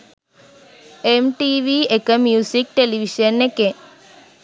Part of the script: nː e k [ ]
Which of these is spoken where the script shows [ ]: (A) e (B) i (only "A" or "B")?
A